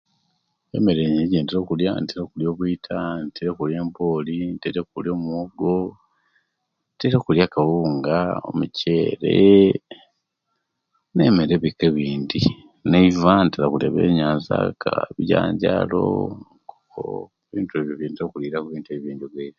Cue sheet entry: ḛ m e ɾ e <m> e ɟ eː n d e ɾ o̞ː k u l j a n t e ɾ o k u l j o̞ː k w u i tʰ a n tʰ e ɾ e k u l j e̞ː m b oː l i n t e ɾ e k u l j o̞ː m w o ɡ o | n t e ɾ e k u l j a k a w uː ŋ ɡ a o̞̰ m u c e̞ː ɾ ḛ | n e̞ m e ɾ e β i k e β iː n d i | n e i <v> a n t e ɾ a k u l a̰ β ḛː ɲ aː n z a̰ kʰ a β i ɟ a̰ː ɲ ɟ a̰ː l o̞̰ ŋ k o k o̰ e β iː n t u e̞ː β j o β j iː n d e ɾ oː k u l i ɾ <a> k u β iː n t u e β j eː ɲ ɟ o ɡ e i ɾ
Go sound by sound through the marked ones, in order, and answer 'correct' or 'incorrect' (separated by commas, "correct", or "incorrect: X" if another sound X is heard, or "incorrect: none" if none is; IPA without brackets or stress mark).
incorrect: ɲ, correct, correct